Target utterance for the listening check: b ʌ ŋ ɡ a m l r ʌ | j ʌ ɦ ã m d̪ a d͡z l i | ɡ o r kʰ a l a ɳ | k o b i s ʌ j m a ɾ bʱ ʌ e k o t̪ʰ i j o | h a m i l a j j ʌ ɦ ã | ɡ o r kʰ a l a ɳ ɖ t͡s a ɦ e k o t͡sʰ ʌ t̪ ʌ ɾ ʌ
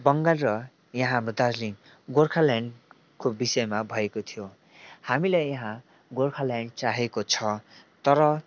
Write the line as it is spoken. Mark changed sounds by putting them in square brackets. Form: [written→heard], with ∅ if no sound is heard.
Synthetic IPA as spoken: b ʌ ŋ ɡ a [m→∅] l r ʌ | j ʌ ɦ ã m d̪ a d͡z l i | ɡ o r kʰ a l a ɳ | k o b i s ʌ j m a [ɾ→∅] bʱ ʌ e k o t̪ʰ i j o | h a m i l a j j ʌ ɦ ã | ɡ o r kʰ a l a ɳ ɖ t͡s a ɦ e k o t͡sʰ ʌ t̪ ʌ ɾ ʌ